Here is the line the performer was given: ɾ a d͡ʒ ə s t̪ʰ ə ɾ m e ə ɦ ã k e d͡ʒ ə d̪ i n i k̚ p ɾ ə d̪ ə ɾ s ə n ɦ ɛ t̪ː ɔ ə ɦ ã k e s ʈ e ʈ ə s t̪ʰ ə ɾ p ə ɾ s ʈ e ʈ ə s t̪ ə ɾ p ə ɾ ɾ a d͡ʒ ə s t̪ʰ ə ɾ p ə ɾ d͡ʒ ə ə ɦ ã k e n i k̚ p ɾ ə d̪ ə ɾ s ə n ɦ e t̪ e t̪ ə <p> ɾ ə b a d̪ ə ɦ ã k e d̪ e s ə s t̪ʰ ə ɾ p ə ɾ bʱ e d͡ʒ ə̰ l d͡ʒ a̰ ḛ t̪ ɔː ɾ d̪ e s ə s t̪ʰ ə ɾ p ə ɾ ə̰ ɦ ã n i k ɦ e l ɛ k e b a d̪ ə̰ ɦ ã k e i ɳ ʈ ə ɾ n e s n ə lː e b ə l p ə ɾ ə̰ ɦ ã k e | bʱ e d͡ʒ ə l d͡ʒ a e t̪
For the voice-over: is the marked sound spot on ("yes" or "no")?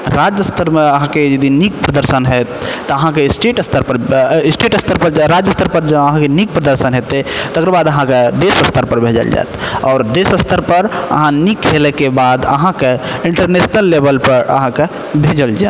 no